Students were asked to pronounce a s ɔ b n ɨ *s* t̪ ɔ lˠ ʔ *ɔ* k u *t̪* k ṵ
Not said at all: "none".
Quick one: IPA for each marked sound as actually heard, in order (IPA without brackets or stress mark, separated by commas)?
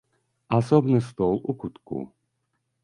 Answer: s, u, t̪